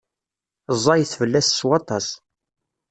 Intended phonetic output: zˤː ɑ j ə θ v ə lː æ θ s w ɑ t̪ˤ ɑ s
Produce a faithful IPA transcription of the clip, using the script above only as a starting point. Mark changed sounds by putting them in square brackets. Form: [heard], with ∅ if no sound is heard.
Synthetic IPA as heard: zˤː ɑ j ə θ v ə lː æ [s] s w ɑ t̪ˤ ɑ s